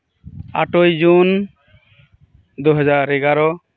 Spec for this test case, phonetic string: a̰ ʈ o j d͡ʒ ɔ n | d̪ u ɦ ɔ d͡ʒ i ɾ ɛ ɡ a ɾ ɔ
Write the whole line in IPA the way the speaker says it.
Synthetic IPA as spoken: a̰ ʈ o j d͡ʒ u n | d̪ u ɦ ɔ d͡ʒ a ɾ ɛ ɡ a ɾ ɔ

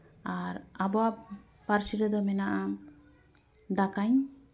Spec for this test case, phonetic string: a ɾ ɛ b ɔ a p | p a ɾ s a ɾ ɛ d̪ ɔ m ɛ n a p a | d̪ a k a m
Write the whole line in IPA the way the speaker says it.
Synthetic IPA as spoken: a ɾ a b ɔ a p | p a ɾ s i ɾ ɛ d̪ ɔ m ɛ n a ʔ a | d̪ a k a ɲ

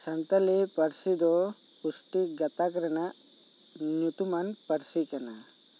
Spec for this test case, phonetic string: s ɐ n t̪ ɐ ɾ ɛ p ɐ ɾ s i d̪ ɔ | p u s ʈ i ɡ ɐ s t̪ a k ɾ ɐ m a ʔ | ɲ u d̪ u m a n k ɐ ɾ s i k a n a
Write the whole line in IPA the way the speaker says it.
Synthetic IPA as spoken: s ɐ n t̪ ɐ l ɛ p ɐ ɾ s i d̪ ɔ | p u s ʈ i ɡ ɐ t̪ a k ɾ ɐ n a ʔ | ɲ u t̪ u m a n p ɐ ɾ s i k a n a

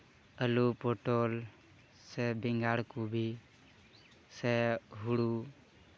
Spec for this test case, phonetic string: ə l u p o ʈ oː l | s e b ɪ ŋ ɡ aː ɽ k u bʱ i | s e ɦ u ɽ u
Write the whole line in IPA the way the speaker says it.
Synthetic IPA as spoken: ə l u p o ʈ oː l | s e b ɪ ŋ ɡ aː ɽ k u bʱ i | s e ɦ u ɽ u

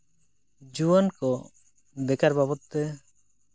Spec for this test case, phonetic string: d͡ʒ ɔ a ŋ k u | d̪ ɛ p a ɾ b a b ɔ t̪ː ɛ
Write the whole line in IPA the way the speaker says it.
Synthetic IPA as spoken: d͡ʒ u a n k ɔ | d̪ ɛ k a ɾ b a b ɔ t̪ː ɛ

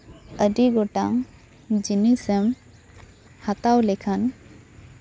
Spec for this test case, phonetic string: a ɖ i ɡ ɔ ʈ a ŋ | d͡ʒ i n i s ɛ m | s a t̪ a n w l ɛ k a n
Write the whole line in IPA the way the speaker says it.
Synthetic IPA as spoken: ə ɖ i ɡ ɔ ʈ a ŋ | d͡ʒ i n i s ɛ m | h a t̪ a w l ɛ kʰ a n

